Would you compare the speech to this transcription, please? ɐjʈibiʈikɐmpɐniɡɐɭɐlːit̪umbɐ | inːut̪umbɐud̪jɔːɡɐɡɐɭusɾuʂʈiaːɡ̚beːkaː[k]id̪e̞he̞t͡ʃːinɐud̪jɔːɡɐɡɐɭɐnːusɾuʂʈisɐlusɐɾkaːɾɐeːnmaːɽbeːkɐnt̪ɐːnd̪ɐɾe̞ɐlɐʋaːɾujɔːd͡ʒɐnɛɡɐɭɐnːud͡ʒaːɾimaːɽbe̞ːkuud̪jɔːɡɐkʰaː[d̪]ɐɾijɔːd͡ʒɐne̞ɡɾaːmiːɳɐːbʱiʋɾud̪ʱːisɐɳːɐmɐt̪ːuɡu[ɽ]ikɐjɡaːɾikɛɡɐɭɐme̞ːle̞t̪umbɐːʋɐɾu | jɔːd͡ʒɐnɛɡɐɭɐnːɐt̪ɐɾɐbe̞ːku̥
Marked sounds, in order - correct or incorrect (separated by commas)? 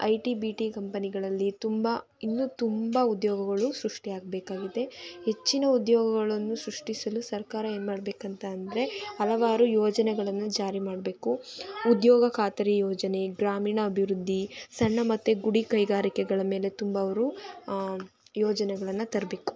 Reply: incorrect, incorrect, correct